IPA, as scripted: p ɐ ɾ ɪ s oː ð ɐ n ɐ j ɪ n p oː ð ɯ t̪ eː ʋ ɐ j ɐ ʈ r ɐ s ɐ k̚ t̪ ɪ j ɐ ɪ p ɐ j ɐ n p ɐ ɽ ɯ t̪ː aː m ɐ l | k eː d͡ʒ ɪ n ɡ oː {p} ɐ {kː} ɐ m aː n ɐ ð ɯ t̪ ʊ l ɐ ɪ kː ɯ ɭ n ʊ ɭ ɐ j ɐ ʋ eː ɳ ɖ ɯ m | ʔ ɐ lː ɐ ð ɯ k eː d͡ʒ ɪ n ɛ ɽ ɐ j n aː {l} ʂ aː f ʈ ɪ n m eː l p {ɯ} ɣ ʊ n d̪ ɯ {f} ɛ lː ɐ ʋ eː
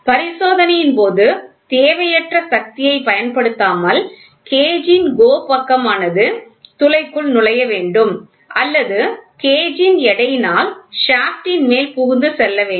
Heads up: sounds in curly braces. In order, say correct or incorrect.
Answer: correct, correct, correct, incorrect, incorrect

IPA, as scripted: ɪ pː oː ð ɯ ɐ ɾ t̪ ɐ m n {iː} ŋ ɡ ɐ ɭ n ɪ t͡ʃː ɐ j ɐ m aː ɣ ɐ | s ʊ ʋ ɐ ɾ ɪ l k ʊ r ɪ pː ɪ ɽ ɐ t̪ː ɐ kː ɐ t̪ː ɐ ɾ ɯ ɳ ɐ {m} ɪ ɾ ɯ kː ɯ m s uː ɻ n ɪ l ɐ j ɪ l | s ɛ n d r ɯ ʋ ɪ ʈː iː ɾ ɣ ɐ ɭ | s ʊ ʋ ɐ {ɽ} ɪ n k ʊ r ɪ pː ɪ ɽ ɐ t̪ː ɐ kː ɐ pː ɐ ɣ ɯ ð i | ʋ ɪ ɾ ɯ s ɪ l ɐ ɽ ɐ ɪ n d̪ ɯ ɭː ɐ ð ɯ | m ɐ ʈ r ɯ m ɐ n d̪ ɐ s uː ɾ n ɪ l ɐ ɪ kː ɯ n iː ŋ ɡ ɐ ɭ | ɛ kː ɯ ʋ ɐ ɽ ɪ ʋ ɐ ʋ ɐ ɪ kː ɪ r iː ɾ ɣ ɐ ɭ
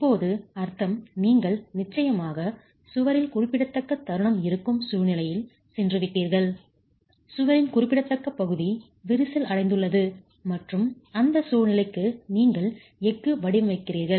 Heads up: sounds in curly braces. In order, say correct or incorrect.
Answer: correct, correct, incorrect

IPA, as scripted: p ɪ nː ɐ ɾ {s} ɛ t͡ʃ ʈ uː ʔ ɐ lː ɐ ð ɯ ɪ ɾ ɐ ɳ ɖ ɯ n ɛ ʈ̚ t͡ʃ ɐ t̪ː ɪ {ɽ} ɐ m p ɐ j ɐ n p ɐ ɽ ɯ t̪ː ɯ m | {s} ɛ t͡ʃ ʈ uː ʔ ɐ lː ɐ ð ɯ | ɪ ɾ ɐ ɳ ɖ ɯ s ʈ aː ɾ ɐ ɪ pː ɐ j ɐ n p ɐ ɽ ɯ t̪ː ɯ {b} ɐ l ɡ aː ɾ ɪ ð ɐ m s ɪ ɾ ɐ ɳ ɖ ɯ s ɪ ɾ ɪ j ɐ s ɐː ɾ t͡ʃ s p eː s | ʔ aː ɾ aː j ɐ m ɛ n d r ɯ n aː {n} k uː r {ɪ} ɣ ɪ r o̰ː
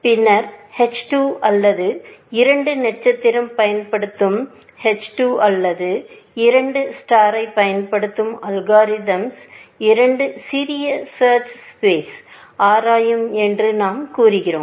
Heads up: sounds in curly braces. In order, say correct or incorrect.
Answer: incorrect, incorrect, incorrect, incorrect, incorrect, correct

